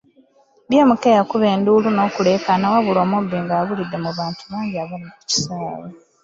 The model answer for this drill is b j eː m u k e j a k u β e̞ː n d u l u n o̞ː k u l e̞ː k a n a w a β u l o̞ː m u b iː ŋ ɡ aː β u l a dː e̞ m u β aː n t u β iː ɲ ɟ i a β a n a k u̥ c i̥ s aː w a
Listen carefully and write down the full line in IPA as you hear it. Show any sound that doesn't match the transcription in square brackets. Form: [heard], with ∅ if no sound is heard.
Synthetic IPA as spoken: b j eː m u k e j a k u β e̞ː n d u l u n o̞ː k u l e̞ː k a n a w a β u l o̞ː m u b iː ŋ ɡ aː β u l [i] dː e̞ m u β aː n t u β [aː] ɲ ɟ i a β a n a k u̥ c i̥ s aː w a